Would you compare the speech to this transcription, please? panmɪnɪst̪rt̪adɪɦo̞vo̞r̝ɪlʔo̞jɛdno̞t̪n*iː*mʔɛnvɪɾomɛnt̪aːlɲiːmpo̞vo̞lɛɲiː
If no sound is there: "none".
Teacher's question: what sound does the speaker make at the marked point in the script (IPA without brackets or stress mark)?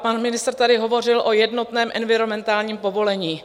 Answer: ɛː